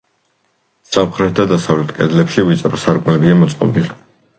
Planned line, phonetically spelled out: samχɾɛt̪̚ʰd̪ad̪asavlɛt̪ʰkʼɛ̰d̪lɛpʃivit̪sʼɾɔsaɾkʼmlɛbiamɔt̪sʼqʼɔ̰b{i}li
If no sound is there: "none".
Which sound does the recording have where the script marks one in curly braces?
i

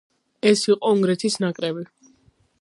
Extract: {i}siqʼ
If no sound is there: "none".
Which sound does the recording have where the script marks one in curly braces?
ɛ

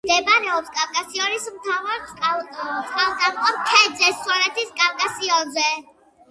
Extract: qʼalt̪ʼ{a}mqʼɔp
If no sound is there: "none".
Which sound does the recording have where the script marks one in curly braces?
a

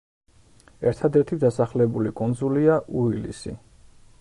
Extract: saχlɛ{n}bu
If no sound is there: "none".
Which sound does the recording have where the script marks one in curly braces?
none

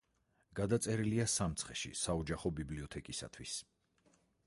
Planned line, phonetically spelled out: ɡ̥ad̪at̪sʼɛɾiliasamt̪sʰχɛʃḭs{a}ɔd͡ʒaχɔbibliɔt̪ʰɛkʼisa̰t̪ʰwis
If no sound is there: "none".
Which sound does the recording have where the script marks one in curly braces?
a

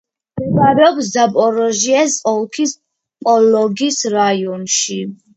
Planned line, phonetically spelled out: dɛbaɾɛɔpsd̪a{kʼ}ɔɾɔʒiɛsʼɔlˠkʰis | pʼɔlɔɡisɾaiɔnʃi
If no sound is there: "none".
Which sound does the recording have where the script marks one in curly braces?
pʼ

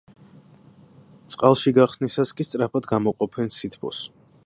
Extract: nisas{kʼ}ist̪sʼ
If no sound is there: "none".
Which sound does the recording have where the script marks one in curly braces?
kʼ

